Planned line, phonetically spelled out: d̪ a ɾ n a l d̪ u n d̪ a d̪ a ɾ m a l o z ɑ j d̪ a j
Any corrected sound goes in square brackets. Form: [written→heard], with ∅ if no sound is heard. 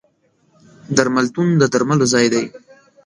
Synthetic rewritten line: d̪ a ɾ [n→m] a l [d̪→t̪] u n d̪ [a→ə] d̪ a ɾ m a l o z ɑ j d̪ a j

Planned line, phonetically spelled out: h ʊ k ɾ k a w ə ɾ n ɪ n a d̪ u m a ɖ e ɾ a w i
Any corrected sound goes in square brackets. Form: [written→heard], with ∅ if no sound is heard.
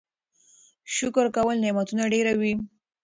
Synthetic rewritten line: [h→ʃ] ʊ k ɾ k a w ə [ɾ→l] n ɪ [n→m] a [d̪→t̪] u [m→n] a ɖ e ɾ a w i

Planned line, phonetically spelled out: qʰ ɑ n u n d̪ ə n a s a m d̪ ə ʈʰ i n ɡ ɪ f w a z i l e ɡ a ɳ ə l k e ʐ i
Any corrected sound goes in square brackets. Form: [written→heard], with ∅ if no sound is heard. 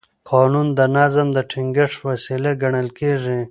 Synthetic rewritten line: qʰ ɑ n u n d̪ ə n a [s→z] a m d̪ ə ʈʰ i [n→ŋ] ɡ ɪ [f→ʂ] w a [z→s] i l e ɡ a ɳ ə l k e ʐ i

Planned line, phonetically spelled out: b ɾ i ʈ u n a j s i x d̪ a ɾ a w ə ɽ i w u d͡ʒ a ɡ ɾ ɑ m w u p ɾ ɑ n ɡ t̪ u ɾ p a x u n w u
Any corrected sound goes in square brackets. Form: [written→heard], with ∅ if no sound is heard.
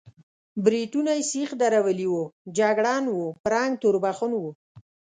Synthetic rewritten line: b ɾ i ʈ u n a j s i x d̪ a ɾ a w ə [ɽ→l] i w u d͡ʒ a ɡ [ɾ→ɽ] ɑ [m→n] w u p ɾ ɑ [n→ŋ] ɡ t̪ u ɾ [p→b] a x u n w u

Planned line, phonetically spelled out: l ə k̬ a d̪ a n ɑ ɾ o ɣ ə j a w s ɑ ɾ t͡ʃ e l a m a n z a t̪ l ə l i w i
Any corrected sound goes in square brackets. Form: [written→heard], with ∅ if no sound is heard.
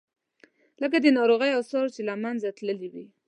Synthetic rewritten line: l ə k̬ a d̪ [a→ə] n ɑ ɾ o ɣ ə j a w s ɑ ɾ t͡ʃ e l a m a n z a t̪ l ə l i w i

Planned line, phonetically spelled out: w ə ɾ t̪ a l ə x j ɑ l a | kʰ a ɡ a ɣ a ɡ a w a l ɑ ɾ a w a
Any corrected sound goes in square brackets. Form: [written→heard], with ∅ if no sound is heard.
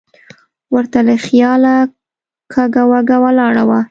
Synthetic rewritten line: w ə ɾ t̪ a l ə x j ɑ l a | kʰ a ɡ a [ɣ→w] a ɡ a w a l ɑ [ɾ→ɽ] a w a

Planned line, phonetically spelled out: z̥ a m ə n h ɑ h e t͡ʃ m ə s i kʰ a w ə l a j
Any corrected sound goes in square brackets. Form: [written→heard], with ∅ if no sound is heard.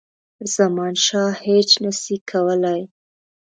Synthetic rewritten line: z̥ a m [ə→ɑ] n [h→ʃ] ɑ h e t͡ʃ [m→n] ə s i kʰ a w ə l a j

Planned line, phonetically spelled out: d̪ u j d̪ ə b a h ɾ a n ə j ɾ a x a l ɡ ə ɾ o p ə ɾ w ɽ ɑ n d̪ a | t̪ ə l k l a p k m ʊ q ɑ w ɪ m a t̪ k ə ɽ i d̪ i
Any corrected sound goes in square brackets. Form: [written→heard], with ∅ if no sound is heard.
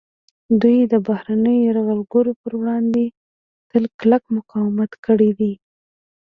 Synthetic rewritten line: d̪ u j d̪ ə b a h ɾ a n ə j ɾ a [x→ɣ] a l ɡ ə ɾ o p ə ɾ w ɽ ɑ n d̪ [a→e] | t̪ ə l k l a [p→∅] k m ʊ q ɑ w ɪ m a t̪ k ə ɽ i d̪ i

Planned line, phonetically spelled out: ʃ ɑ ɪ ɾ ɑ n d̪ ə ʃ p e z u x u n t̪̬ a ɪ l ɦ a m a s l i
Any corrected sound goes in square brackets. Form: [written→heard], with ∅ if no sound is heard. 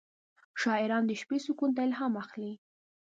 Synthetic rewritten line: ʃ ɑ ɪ ɾ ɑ n d̪ ə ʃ p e [z→s] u [x→k] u n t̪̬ a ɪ l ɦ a m a [s→x] l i

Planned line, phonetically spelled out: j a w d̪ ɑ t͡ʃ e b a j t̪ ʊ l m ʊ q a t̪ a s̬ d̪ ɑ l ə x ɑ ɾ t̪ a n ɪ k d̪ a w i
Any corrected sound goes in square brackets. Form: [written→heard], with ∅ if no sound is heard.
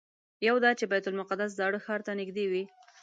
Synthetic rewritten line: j a w d̪ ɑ t͡ʃ e b a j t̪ ʊ l m ʊ q a [t̪→d̪] a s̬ d̪ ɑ [l→ɽ] ə x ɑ ɾ t̪ a n ɪ [k→ɡ] d̪ [a→e] w i

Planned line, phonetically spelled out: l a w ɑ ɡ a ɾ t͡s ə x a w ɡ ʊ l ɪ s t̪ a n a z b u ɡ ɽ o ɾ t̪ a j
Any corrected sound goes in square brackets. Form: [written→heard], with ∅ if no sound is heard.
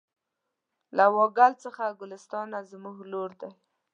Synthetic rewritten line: l a w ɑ ɡ a [ɾ→l] t͡s ə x a [w→∅] ɡ ʊ l ɪ s t̪ [a→ɑ] n a z [b→m] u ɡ [ɽ→l] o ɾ [t̪→d̪] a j

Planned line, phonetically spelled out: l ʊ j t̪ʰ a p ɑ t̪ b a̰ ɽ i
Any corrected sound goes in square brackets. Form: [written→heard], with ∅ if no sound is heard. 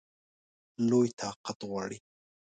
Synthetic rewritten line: l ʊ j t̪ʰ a [p→q] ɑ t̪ [b→w] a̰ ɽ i

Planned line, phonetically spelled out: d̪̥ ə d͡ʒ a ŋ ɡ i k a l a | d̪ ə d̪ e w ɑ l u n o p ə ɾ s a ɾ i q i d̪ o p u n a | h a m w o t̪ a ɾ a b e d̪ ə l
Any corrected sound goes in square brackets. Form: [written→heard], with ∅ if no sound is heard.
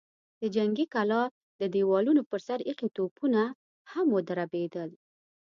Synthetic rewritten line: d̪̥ ə d͡ʒ a ŋ ɡ i k a l [a→ɑ] | d̪ ə d̪ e w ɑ l u n o p ə ɾ s a ɾ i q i [d̪→t̪] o p u n a | h a m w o [t̪→d̪] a ɾ a b e d̪ ə l

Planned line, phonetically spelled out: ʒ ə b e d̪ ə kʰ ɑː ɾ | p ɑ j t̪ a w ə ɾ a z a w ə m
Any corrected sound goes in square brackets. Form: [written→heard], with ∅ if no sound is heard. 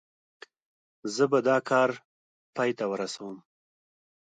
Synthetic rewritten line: [ʒ→z] ə b [e→a] d̪ [ə→ɑ] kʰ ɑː ɾ | p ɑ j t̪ a w ə ɾ a [z→s] a w ə m

